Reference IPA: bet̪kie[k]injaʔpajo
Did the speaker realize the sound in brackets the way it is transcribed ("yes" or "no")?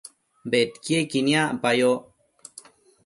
yes